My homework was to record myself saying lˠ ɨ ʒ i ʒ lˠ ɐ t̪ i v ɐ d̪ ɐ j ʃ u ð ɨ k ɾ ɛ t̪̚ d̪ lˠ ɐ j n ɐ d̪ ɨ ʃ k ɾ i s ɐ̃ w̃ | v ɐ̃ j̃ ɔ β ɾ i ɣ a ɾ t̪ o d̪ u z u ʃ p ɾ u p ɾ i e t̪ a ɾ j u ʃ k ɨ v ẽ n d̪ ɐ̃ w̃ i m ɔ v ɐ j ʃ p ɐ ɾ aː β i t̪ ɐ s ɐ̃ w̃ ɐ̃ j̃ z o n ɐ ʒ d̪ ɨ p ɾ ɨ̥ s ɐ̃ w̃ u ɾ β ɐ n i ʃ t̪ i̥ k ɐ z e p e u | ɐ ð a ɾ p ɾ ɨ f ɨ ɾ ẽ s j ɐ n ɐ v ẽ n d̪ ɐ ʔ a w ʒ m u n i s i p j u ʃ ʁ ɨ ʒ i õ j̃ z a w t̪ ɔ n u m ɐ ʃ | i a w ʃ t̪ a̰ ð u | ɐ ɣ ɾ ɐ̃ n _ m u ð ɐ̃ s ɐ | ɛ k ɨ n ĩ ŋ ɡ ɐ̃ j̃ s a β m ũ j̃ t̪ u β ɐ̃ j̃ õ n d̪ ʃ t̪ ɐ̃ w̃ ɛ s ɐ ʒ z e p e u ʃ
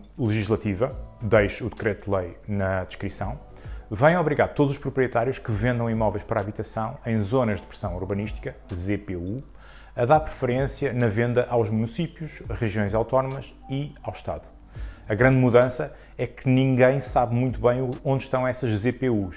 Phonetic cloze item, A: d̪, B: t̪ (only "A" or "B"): A